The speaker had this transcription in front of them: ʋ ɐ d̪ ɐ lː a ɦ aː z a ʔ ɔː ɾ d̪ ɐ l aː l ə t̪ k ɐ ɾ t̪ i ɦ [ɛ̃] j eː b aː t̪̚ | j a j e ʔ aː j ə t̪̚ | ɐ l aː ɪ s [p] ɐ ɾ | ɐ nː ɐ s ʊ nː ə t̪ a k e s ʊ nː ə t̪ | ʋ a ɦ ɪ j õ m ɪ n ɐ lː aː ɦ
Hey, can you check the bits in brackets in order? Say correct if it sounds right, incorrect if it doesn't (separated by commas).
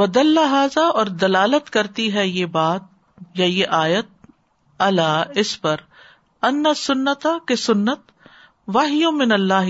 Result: incorrect, correct